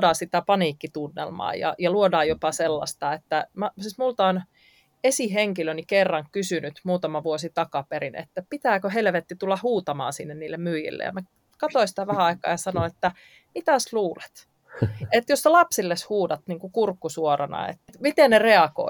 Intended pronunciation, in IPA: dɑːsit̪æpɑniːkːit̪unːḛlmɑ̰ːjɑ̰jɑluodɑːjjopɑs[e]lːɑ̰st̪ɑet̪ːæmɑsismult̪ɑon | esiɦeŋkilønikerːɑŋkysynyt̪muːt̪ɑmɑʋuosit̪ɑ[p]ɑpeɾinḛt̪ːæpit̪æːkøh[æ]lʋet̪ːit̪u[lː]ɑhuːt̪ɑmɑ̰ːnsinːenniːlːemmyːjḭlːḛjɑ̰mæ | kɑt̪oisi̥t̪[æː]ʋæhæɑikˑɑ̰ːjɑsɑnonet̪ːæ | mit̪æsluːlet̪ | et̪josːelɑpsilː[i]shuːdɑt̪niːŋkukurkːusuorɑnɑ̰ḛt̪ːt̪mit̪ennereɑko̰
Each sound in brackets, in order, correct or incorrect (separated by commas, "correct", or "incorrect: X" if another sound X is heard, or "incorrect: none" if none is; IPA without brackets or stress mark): correct, incorrect: k, incorrect: e, correct, incorrect: æ, incorrect: e